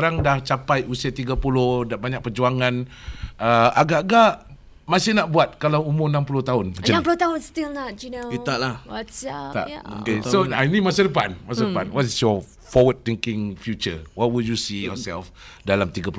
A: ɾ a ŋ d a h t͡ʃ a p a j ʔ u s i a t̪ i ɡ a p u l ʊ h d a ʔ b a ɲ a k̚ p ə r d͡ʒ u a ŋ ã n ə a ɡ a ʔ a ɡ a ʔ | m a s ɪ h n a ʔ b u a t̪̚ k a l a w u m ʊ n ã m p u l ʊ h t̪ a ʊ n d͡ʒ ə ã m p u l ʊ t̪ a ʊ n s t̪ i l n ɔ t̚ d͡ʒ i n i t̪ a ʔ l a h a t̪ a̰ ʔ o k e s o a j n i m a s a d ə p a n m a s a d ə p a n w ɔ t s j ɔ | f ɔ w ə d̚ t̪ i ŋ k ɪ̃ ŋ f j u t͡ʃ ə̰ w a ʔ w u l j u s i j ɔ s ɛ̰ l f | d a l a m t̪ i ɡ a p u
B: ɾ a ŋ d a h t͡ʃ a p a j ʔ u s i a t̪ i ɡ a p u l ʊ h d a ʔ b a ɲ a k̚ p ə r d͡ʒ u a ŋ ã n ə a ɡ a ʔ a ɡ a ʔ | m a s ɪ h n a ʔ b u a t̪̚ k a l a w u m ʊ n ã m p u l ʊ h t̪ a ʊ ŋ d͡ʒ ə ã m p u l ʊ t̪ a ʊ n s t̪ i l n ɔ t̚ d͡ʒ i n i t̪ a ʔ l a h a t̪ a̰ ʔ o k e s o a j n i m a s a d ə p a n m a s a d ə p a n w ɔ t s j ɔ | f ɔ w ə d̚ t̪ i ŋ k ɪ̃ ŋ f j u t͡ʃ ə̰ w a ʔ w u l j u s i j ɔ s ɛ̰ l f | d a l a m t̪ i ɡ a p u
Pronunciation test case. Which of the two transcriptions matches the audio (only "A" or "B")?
A